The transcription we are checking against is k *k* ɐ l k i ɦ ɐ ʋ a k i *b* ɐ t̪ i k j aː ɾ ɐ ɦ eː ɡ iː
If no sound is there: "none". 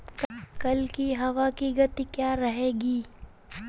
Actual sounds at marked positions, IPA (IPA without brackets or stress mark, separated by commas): k, ɡ